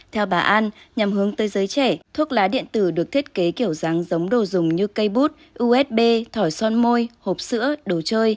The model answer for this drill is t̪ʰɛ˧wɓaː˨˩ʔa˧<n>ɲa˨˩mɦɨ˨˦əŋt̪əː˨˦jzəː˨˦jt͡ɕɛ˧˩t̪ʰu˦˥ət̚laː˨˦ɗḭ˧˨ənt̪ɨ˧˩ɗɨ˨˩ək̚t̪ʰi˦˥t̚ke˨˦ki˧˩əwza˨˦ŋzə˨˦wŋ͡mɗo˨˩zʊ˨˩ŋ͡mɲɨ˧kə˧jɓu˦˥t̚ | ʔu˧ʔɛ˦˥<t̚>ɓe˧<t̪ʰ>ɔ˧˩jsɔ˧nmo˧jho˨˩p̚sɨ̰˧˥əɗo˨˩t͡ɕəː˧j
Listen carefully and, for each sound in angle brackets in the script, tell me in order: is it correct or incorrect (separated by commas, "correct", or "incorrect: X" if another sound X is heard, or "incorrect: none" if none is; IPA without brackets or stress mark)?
correct, correct, correct